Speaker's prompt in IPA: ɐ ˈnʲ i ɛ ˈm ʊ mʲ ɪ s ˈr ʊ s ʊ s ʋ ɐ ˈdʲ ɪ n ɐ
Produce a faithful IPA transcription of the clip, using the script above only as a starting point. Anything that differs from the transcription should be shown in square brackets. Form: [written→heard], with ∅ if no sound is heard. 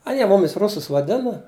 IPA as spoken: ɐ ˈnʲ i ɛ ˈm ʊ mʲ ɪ s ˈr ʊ s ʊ s ʋ ɐ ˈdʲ ɪ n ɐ